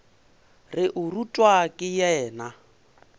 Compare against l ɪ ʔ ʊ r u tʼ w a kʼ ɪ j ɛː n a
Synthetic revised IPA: r ɪ ʔ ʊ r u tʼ w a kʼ ɪ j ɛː n a